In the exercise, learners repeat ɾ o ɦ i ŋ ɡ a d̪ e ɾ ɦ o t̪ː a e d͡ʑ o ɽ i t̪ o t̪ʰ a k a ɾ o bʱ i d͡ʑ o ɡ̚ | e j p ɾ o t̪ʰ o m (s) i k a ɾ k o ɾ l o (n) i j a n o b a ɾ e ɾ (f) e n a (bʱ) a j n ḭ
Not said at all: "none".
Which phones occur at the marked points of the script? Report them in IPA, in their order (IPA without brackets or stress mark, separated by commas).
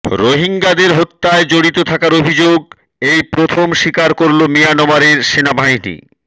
ʃ, m, ʃ, bʱ